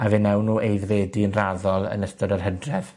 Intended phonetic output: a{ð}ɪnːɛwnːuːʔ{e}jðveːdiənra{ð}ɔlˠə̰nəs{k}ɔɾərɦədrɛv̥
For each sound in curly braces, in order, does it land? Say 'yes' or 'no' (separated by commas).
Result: no, yes, yes, no